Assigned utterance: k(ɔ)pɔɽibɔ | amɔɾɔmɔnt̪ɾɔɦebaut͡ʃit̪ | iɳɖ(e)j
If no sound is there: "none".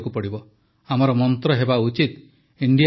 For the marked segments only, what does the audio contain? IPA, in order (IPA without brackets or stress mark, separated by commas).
u, i